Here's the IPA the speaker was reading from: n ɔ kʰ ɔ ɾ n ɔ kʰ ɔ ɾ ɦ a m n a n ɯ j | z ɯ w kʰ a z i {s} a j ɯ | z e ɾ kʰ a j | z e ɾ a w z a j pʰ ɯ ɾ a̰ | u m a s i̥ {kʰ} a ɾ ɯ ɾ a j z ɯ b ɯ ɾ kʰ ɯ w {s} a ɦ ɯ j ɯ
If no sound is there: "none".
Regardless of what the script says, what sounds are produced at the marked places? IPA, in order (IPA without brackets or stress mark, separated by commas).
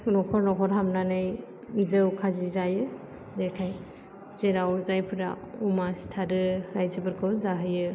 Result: z, tʰ, z